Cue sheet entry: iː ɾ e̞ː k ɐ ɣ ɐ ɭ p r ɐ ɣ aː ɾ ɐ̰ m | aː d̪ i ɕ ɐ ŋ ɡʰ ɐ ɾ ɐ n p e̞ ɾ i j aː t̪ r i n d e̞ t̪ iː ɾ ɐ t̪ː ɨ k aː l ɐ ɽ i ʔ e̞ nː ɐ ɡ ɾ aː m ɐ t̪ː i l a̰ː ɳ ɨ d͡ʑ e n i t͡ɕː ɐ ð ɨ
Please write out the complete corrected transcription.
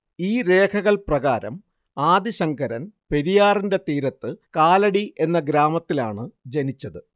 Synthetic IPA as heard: iː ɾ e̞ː kʰ ɐ ɣ ɐ ɭ p r ɐ ɣ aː ɾ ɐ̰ m | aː d̪ i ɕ ɐ ŋ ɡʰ ɐ ɾ ɐ n p e̞ ɾ i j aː r i n d e̞ t̪ iː ɾ ɐ t̪ː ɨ k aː l ɐ ɽ i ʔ e̞ nː ɐ ɡ ɾ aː m ɐ t̪ː i l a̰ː ɳ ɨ d͡ʑ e n i t͡ɕː ɐ ð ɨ

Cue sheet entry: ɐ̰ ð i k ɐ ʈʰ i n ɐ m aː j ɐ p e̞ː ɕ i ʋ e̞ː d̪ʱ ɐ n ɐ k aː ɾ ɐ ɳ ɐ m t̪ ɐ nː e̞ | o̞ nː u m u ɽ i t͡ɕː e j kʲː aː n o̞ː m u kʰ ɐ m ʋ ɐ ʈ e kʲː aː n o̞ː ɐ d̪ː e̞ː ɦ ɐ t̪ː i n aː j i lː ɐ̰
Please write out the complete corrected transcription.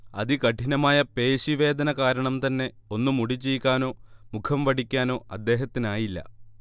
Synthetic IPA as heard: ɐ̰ ð i k ɐ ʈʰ i n ɐ m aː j ɐ p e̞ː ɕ i ʋ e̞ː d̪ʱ ɐ n ɐ k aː ɾ ɐ ɳ ɐ m t̪ ɐ nː e̞ | o̞ nː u m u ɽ i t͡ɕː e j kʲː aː n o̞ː m u kʰ ɐ m ʋ ɐ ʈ i kʲː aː n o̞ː ɐ d̪ː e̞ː ɦ ɐ t̪ː i n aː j i lː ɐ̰

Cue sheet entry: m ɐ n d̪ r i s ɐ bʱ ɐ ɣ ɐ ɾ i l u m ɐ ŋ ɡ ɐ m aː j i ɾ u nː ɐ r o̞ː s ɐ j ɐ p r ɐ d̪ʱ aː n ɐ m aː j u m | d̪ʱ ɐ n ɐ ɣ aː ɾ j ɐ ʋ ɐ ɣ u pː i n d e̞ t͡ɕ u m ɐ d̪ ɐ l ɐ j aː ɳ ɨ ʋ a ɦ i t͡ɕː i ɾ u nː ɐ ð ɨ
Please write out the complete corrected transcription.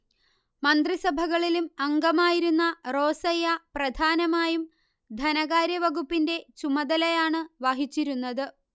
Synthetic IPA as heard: m ɐ n d̪ r i s ɐ bʱ ɐ ɣ ɐ ɭ i l u m ɐ ŋ ɡ ɐ m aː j i ɾ u nː ɐ r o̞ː s ɐ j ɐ p r ɐ d̪ʱ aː n ɐ m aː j u m | d̪ʱ ɐ n ɐ ɣ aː ɾ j ɐ ʋ ɐ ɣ u pː i n d e̞ t͡ɕ u m ɐ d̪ ɐ l ɐ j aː ɳ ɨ ʋ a ɦ i t͡ɕː i ɾ u nː ɐ ð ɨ

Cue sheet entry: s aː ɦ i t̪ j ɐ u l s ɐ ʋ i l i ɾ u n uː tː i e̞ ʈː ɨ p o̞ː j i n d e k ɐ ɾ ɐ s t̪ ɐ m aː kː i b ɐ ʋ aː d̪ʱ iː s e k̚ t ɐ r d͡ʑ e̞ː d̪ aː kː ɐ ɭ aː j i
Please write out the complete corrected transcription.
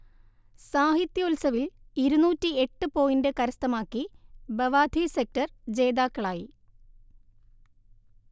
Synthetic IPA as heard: s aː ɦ i t̪ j ɐ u l s ɐ ʋ i l i ɾ u n uː tː i e̞ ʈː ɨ p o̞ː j i n d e k ɐ ɾ ɐ s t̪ ɐ m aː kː i b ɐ ʋ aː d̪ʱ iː s e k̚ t ɐ r d͡ʑ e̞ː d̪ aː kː ɐ ɭ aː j i

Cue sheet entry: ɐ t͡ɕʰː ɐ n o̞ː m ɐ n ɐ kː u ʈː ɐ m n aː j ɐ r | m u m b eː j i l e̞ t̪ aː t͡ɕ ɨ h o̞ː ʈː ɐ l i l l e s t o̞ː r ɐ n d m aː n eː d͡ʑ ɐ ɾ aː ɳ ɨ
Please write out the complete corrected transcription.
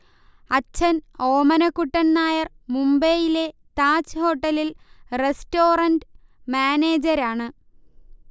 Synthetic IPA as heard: ɐ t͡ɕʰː ɐ n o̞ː m ɐ n ɐ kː u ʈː ɐ n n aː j ɐ r | m u m b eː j i l e̞ t̪ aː t͡ɕ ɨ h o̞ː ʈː ɐ l i l r e s t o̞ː r ɐ n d m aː n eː d͡ʑ ɐ ɾ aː ɳ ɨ

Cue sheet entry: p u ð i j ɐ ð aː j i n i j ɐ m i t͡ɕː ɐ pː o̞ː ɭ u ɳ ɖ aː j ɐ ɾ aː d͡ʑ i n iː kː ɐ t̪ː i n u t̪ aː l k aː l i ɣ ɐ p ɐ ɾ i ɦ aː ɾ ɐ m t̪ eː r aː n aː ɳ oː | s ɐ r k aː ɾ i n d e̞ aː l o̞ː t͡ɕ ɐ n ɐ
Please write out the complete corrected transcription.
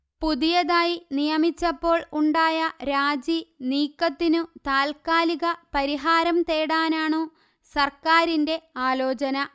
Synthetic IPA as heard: p u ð i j ɐ ð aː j i n i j ɐ m i t͡ɕː ɐ pː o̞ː ɭ u ɳ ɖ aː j ɐ ɾ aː d͡ʑ i n iː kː ɐ t̪ː i n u t̪ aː l k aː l i ɣ ɐ p ɐ ɾ i ɦ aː ɾ ɐ m t̪ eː ɽ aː n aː ɳ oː | s ɐ r k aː ɾ i n d e̞ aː l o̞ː t͡ɕ ɐ n ɐ

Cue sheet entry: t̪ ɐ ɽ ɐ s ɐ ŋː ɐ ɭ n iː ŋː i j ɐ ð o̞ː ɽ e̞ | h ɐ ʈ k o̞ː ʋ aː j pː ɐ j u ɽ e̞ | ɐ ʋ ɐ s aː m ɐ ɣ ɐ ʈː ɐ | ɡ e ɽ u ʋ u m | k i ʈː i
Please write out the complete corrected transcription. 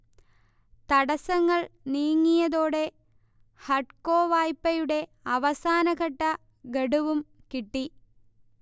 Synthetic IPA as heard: t̪ ɐ ɽ ɐ s ɐ ŋː ɐ ɭ n iː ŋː i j ɐ ð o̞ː ɽ e̞ | h ɐ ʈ k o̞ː ʋ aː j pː ɐ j u ɽ e̞ | ɐ ʋ ɐ s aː n ɐ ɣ ɐ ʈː ɐ | ɡ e ɽ u ʋ u m | k i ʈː i

